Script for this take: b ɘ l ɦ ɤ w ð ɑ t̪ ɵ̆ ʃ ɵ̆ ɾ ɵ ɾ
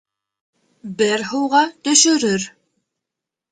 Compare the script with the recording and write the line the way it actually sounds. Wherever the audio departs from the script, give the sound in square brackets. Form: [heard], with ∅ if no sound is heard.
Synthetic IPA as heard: b ɘ [ɾ] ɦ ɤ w [ʁ] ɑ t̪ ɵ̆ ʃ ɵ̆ ɾ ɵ ɾ